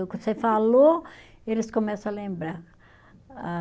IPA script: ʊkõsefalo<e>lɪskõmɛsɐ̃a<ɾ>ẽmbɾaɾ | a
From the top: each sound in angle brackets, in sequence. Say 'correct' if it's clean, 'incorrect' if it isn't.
correct, incorrect

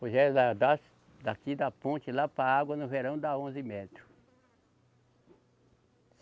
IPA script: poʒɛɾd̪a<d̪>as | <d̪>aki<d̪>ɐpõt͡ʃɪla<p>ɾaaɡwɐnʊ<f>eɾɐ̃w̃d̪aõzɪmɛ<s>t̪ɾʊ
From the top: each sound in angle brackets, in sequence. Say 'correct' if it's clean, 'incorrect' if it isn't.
correct, correct, correct, correct, incorrect, incorrect

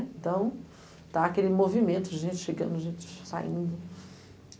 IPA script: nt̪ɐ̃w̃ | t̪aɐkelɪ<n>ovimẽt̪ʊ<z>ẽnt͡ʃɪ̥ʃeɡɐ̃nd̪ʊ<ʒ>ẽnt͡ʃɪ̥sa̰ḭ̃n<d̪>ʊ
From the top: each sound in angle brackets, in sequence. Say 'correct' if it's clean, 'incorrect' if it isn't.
incorrect, incorrect, correct, correct

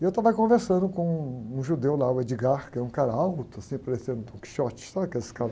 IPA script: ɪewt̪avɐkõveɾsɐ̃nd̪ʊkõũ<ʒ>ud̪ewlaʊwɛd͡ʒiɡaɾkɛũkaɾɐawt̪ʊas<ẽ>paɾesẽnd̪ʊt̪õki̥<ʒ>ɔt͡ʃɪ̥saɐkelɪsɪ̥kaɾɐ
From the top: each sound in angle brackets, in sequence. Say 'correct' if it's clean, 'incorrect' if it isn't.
correct, incorrect, incorrect

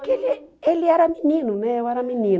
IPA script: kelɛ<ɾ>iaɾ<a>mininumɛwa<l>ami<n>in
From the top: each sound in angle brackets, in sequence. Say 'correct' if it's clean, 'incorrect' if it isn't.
incorrect, correct, incorrect, correct

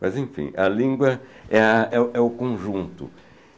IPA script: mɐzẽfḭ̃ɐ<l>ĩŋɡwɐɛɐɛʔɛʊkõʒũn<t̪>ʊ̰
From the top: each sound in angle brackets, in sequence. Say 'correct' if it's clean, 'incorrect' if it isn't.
correct, correct

